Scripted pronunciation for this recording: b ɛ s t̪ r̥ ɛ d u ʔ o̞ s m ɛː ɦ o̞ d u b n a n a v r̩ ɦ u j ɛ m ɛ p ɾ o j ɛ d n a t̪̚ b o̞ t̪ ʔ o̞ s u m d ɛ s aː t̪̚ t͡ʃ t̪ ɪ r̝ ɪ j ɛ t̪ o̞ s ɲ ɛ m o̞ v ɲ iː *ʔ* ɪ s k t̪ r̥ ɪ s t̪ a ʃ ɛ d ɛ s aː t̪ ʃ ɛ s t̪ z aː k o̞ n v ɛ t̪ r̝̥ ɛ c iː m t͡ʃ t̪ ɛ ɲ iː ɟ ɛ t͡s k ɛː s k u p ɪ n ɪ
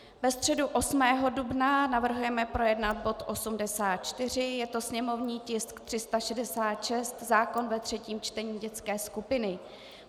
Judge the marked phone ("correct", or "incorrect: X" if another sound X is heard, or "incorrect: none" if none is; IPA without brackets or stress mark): incorrect: c